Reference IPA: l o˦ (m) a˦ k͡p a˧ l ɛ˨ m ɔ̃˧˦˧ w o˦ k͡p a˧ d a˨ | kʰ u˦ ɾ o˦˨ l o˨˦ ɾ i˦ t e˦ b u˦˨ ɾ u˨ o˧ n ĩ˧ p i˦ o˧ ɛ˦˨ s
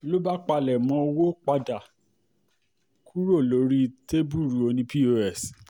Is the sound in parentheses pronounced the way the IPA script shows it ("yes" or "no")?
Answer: no